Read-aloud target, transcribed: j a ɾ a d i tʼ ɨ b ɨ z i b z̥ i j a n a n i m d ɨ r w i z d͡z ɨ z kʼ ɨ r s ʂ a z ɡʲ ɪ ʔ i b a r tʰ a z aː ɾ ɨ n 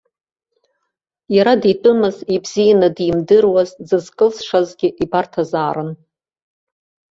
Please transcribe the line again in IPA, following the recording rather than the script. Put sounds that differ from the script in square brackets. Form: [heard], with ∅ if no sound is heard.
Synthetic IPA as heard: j a ɾ a d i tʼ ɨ [m] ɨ z i b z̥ i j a n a [d] i m d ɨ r w [a] z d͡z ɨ z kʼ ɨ [l] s ʂ a z ɡʲ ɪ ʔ i b a r tʰ a z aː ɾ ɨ n